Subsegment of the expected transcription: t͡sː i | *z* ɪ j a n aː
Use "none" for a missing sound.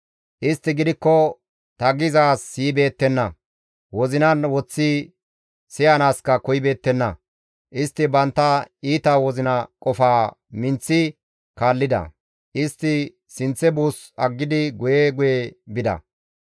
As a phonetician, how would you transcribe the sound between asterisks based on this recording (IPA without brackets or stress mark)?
s